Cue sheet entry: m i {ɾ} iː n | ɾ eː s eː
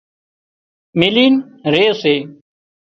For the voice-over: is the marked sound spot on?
no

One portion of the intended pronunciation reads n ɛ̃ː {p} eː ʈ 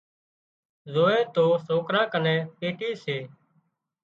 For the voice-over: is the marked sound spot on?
yes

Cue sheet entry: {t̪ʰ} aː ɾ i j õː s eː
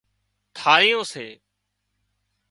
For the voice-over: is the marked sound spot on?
yes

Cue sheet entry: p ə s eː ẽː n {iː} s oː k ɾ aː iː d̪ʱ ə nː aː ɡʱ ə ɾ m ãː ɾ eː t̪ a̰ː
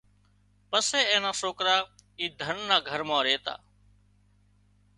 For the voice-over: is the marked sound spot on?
no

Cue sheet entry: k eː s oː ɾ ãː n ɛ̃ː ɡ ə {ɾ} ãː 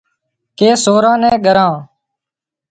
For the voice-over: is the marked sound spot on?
yes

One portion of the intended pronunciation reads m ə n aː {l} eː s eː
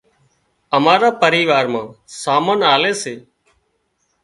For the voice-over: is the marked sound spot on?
yes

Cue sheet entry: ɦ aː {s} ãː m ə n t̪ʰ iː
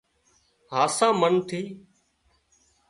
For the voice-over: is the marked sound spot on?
yes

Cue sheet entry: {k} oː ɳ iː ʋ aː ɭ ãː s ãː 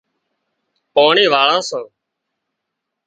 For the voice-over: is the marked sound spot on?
no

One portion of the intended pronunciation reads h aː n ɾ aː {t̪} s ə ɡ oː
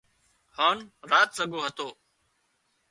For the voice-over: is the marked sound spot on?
yes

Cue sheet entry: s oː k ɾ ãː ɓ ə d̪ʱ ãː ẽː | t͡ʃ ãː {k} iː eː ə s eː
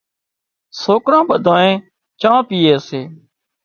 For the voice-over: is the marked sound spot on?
no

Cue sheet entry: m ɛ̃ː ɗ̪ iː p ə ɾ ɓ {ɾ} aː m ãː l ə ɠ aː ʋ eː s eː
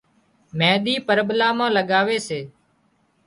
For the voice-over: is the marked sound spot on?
no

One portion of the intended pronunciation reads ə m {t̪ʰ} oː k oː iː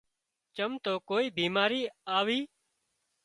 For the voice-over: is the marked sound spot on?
no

